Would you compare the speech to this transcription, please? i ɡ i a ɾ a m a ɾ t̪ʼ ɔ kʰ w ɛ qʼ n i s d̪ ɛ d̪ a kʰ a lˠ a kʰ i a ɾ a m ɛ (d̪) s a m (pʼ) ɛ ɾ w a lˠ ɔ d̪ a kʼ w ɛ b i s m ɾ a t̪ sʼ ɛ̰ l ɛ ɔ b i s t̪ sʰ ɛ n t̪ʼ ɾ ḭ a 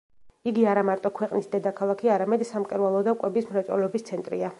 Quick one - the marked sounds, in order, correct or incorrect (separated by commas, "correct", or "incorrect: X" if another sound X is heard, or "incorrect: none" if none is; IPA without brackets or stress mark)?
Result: correct, incorrect: kʼ